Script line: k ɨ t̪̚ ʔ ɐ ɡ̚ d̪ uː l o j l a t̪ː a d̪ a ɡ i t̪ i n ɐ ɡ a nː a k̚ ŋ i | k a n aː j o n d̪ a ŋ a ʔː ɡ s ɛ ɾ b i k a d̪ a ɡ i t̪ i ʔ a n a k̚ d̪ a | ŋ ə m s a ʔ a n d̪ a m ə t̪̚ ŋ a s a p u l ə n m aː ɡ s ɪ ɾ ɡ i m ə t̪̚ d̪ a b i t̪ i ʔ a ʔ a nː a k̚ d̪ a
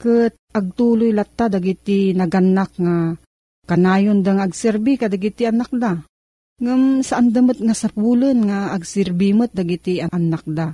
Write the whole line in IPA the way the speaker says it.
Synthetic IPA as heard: k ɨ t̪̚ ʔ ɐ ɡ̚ t̪ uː l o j l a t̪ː a d̪ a ɡ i t̪ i n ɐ ɡ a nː a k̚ ŋ a | k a n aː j o n d̪ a ŋ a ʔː ɡ s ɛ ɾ b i k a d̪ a ɡ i t̪ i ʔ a n a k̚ d̪ a | ŋ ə m s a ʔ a n d̪ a m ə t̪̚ ŋ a s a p u l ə n ŋ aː ɡ s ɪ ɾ b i m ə t̪̚ d̪ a ɡ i t̪ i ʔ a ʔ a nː a k̚ d̪ a